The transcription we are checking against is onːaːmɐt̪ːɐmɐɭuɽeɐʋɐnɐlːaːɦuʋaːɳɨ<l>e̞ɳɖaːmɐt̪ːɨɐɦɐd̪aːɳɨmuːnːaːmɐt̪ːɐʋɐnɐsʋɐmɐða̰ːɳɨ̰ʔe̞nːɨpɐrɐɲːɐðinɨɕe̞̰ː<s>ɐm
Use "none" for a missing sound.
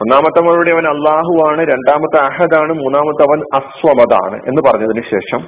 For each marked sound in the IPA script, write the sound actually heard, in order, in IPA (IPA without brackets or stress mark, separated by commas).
ɾ, ʂ